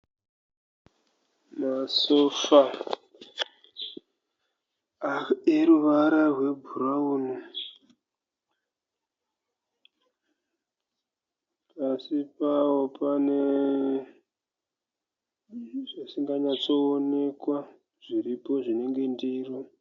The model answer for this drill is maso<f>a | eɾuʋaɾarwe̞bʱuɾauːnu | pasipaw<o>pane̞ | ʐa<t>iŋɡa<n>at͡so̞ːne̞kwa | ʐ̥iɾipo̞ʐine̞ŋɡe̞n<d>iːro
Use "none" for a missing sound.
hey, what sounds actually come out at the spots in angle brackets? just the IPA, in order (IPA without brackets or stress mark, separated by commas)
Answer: f, o, s, ɲ, d